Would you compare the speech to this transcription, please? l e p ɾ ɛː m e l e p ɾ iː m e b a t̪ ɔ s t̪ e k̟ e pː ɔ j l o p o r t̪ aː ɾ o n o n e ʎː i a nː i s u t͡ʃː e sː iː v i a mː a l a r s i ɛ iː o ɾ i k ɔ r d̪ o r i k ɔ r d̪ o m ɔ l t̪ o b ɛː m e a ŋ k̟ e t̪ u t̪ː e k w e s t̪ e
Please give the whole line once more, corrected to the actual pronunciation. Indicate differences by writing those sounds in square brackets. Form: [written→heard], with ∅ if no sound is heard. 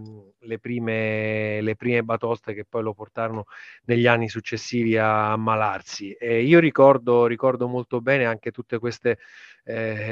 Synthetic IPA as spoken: l e p ɾ [ɛː→iː] m e l e p ɾ iː m e b a t̪ ɔ s t̪ e k̟ e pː ɔ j l o p o r t̪ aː ɾ o n o n e ʎː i a nː i s u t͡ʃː e sː iː v i a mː a l a r s i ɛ iː o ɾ i k ɔ r d̪ o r i k ɔ r d̪ o m [ɔ→o] l t̪ o b ɛː [m→n] e a ŋ k̟ e t̪ u t̪ː e k w e s t̪ e